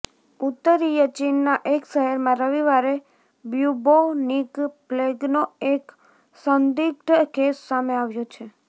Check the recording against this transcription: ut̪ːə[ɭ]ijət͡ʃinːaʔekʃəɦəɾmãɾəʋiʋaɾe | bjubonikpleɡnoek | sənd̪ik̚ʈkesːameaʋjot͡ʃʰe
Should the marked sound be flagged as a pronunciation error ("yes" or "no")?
yes